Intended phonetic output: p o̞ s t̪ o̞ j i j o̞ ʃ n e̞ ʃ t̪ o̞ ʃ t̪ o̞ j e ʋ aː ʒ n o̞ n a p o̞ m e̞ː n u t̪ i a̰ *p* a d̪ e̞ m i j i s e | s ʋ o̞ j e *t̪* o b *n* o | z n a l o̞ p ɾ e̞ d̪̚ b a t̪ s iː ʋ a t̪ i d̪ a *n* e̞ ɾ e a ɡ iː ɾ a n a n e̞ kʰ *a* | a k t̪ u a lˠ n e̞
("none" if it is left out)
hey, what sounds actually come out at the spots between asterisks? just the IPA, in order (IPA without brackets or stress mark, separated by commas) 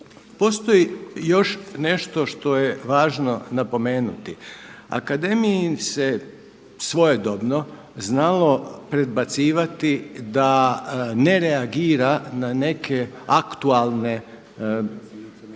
k, d̪, n, n, e